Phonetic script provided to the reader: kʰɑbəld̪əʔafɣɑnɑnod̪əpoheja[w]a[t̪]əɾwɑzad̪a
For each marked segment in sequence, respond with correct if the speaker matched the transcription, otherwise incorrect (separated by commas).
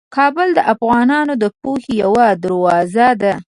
correct, incorrect